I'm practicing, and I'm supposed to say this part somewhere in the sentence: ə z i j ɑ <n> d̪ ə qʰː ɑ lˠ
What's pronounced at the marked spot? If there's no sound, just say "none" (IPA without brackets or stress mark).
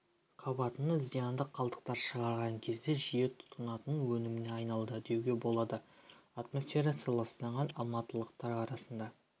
n